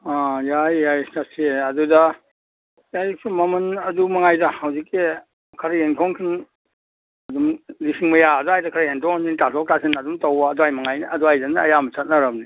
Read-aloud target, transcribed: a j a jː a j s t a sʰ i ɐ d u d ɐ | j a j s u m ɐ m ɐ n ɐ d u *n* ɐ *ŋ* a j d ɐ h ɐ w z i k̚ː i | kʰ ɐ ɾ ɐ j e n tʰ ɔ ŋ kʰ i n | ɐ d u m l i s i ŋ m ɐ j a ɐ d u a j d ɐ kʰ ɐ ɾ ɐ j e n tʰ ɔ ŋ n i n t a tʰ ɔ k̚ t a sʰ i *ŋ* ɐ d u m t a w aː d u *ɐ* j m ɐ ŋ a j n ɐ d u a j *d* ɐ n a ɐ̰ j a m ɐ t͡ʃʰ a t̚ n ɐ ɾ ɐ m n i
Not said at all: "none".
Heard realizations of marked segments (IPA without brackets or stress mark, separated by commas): m, ŋ, n, a, d